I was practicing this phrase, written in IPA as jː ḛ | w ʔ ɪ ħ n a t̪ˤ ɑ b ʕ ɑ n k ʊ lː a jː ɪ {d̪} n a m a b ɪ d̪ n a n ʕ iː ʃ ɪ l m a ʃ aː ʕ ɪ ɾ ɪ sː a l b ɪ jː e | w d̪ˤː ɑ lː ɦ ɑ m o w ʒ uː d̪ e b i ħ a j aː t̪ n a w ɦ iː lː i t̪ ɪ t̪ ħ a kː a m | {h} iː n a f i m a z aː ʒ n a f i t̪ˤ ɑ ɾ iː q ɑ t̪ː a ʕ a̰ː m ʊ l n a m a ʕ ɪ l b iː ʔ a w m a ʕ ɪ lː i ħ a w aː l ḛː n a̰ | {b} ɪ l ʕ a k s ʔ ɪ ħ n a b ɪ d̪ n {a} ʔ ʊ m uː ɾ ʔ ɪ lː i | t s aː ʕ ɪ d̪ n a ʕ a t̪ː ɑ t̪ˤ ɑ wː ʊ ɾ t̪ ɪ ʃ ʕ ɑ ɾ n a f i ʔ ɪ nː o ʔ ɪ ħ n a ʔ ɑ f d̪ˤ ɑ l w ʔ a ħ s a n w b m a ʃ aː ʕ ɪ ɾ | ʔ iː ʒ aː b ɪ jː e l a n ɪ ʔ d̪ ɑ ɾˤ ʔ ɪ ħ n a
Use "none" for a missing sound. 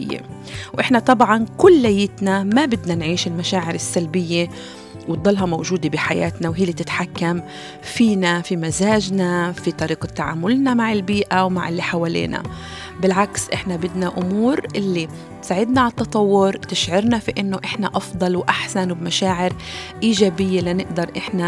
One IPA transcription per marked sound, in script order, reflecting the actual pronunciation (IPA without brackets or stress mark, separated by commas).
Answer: t̪, f, b, a